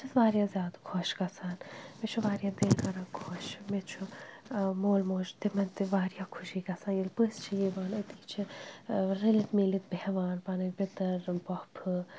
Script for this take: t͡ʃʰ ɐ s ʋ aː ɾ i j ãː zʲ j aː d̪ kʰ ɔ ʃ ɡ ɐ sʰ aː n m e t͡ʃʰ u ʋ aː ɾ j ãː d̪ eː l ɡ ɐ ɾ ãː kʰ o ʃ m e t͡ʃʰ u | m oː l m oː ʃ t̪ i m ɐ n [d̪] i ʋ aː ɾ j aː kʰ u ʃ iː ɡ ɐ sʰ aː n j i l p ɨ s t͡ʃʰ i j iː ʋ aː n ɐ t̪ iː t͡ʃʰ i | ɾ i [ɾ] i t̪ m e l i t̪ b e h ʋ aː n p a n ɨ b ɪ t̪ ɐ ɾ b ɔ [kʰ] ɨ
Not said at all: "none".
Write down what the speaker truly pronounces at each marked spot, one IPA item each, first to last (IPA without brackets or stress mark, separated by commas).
t̪, l, pʰ